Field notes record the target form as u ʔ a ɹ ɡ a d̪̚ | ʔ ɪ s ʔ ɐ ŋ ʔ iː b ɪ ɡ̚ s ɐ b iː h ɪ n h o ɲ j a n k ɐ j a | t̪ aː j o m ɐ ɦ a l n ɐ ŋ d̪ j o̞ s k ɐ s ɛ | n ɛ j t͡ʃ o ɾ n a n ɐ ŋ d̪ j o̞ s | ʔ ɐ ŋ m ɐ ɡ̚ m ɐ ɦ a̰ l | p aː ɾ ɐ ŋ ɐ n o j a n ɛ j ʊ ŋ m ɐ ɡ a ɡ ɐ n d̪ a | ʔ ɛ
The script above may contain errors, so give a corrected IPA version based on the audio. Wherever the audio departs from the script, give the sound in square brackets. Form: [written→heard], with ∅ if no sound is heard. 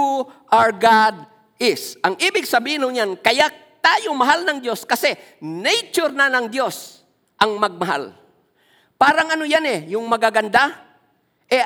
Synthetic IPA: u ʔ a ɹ ɡ a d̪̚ | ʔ ɪ s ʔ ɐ ŋ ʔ iː b ɪ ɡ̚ s ɐ b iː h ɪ n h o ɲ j a n k ɐ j a | t̪ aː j o m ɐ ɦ a l n ɐ ŋ d̪ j o̞ s k ɐ s ɛ | n ɛ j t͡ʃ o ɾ n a n ɐ ŋ d̪ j o̞ s | ʔ ɐ ŋ m ɐ ɡ̚ m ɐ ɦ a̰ l | p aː ɾ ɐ ŋ ɐ n o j a n ɛ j ʊ ŋ m ɐ ɡ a ɡ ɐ n d̪ a | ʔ ɛ